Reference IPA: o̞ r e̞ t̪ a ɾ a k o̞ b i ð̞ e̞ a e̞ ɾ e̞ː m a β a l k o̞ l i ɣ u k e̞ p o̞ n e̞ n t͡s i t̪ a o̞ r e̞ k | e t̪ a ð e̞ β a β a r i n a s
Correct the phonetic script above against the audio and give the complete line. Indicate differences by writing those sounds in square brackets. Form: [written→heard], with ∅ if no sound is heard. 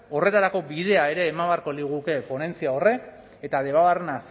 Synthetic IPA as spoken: o̞ r e̞ t̪ a ɾ a k o̞ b i ð̞ e̞ a e̞ ɾ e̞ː m a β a [l→ɾ] k o̞ l i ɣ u k e̞ p o̞ n e̞ n t͡s i [t̪→∅] a o̞ r e̞ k | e t̪ a ð e̞ β a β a r [i→e] n a s